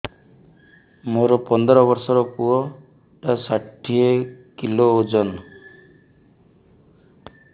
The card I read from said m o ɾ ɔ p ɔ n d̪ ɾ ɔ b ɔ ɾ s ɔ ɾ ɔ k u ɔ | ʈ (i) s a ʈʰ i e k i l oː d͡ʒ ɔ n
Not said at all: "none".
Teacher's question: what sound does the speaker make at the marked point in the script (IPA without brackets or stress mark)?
a